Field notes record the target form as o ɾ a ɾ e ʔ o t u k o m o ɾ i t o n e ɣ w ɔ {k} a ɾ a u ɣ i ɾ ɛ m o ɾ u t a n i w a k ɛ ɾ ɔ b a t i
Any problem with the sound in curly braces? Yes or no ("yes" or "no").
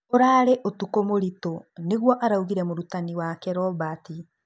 yes